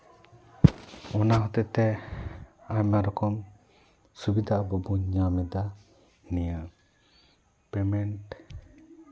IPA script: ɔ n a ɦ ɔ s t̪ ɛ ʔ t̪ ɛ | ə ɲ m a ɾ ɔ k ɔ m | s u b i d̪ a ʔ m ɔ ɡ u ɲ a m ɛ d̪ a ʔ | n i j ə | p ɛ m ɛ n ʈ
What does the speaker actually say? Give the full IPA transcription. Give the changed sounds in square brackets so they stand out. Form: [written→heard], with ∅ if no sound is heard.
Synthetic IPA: ɔ n a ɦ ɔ [s→∅] t̪ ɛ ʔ t̪ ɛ | [ə→a] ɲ m a ɾ ɔ k ɔ m | s u b i d̪ a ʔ [m→b] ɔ [ɡ→b] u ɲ a m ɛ d̪ a [ʔ→∅] | n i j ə | p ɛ m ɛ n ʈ

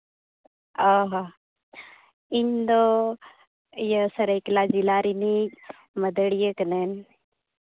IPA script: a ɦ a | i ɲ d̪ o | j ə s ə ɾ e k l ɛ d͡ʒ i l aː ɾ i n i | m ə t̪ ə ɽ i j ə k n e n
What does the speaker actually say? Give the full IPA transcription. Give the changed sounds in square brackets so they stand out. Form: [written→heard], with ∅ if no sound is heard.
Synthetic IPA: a ɦ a | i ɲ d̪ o | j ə s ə ɾ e k l [ɛ→a] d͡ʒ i l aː ɾ i n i | m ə [t̪→d̪] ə ɽ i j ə k n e n

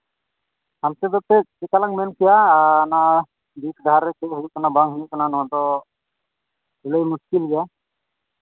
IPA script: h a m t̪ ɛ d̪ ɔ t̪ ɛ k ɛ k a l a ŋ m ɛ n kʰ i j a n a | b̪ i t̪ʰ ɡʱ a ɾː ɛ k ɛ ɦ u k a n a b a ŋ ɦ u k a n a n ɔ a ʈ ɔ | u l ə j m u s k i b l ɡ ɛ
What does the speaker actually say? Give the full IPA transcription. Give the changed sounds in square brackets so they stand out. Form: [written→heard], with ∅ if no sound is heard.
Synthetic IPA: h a m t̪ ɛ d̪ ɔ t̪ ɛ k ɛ k a l a ŋ m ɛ n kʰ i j a n a | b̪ i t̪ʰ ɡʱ a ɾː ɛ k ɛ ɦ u k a n a b a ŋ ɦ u k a n a n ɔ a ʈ ɔ | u l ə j m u s k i [b→∅] l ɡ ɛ

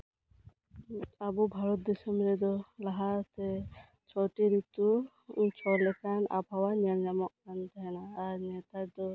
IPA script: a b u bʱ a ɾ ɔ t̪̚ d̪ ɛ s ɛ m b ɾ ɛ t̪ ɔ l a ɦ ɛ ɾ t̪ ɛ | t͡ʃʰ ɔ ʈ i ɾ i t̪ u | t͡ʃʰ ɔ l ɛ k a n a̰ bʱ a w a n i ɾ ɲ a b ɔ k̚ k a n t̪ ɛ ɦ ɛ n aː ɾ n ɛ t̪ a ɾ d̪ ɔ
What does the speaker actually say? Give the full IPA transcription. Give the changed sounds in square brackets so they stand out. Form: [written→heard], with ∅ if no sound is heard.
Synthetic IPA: a b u bʱ a ɾ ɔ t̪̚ d̪ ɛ s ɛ m b ɾ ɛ [t̪→d̪] ɔ l a ɦ [ɛ→a] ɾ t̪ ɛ | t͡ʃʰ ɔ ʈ i ɾ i t̪ u | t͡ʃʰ ɔ l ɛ k a n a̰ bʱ a w a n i ɾ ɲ a [b→m] ɔ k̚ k a n t̪ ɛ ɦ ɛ n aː ɾ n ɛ t̪ a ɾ d̪ ɔ

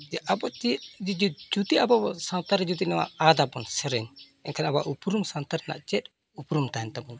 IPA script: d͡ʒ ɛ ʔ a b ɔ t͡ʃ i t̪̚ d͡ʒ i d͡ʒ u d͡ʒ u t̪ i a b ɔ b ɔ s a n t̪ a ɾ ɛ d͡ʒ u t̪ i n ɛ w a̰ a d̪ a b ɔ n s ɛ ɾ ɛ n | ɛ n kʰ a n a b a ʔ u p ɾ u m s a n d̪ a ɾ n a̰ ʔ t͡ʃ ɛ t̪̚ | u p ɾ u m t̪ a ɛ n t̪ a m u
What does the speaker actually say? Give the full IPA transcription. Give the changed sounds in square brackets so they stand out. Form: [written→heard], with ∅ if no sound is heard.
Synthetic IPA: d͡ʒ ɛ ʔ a b ɔ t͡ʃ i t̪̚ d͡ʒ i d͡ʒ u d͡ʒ u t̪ i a b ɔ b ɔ s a n t̪ a ɾ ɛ d͡ʒ u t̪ i n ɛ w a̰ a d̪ a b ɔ n s ɛ ɾ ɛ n | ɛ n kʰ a n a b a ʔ u p ɾ u m s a n [d̪→t̪] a ɾ n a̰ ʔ t͡ʃ ɛ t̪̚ | u p ɾ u m t̪ a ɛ n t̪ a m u

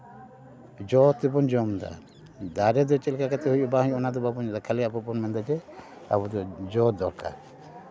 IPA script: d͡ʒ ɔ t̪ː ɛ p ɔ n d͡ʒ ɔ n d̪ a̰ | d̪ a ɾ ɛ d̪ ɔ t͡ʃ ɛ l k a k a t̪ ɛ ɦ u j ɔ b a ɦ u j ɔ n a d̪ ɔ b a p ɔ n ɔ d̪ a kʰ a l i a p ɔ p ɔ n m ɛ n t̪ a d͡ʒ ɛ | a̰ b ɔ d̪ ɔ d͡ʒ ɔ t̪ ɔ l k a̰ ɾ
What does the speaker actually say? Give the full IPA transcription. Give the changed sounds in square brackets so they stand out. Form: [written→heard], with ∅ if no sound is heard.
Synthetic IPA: d͡ʒ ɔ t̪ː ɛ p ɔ n d͡ʒ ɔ [n→m] d̪ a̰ | d̪ a ɾ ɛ d̪ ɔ t͡ʃ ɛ l k a k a t̪ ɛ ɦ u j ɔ b a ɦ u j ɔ n a d̪ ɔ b a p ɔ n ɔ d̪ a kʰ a l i a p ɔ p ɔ n m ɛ n [t̪→d̪] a d͡ʒ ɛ | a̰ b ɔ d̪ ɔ d͡ʒ ɔ [t̪→d̪] ɔ [l→ɾ] k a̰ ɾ

